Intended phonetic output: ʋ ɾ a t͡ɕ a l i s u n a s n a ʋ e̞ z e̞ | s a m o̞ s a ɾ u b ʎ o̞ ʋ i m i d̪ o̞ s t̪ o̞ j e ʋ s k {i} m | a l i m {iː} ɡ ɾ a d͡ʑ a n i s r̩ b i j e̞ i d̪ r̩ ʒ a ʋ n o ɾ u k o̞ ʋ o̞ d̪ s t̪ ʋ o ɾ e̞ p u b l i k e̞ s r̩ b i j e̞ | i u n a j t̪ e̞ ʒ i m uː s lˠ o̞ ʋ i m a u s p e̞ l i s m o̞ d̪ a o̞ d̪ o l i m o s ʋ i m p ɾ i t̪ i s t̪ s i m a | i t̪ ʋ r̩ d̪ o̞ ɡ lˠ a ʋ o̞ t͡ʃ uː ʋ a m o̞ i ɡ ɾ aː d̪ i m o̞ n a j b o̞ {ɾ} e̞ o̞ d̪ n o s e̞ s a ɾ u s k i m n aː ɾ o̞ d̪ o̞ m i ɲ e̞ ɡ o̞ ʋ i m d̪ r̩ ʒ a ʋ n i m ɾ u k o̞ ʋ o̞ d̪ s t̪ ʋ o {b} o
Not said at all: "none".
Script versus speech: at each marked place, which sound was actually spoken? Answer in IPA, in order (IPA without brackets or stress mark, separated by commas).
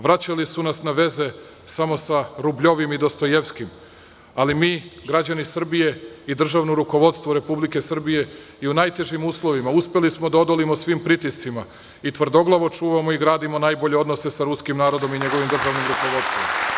i, iː, ʎ, m